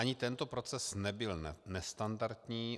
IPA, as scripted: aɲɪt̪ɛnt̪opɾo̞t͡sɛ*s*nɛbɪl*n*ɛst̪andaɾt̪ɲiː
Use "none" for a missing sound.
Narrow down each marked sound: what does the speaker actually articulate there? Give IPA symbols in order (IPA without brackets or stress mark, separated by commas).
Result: s, n